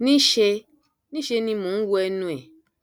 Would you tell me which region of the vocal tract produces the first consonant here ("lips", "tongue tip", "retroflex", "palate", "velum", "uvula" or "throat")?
tongue tip